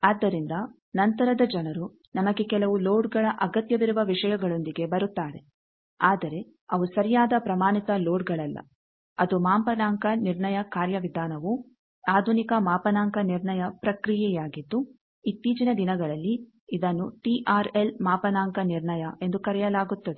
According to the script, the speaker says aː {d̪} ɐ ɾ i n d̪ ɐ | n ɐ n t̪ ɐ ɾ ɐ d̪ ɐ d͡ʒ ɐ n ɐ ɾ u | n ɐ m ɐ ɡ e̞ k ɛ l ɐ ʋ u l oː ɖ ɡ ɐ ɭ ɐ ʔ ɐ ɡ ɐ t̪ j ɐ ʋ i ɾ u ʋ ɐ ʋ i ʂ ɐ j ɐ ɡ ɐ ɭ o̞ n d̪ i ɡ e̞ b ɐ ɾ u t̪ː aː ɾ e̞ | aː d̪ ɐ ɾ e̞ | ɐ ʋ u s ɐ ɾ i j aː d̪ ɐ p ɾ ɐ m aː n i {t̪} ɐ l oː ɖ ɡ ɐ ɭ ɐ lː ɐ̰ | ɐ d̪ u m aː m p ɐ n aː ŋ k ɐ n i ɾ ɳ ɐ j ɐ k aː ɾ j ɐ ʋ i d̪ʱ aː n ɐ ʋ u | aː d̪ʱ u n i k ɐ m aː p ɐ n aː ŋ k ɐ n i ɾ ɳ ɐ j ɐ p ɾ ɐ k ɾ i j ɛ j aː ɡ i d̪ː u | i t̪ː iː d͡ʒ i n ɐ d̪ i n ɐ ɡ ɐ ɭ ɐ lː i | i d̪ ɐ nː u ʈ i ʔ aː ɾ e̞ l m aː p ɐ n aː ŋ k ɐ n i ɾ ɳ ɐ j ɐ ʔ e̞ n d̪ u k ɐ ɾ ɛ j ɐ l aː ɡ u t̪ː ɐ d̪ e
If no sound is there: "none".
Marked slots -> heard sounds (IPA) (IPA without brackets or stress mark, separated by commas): d̪ː, t̪